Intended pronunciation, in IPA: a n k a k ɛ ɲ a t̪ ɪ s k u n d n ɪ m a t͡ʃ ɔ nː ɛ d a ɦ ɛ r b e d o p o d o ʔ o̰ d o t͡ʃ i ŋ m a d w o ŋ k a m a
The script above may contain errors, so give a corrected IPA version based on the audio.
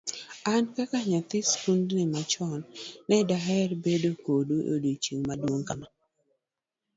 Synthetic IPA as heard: a n k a k a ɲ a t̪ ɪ s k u n d n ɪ m a t͡ʃ ɔ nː ɛ d a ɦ ɛ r b e d o k o d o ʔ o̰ d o t͡ʃ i ŋ m a d w o ŋ k a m a